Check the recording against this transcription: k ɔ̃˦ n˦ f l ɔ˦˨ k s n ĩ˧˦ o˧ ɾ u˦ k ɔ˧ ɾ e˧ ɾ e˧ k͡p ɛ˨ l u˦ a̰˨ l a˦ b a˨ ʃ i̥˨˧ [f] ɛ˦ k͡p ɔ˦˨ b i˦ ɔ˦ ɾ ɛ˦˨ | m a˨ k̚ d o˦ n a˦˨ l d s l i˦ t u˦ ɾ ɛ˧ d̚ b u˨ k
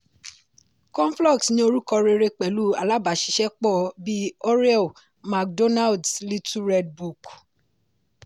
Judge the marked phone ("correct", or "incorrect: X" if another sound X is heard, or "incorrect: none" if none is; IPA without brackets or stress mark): incorrect: ʃ